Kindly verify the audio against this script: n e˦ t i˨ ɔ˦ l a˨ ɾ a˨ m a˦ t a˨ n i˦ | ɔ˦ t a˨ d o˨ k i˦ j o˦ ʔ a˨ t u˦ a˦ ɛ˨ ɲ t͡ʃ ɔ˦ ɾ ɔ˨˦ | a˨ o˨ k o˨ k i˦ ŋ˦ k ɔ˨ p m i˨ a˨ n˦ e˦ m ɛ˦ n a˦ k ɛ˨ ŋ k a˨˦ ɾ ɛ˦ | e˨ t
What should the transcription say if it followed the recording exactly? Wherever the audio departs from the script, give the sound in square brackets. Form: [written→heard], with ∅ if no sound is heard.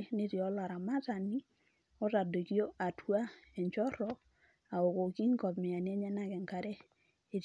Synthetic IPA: n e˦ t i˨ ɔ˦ l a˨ ɾ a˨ m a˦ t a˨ n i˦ | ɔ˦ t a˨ d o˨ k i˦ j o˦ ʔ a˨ t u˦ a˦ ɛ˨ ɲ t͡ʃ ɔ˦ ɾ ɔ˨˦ | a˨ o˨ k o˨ k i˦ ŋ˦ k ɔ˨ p m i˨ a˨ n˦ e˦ [m→ɲ] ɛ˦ n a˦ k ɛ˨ ŋ k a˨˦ ɾ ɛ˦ | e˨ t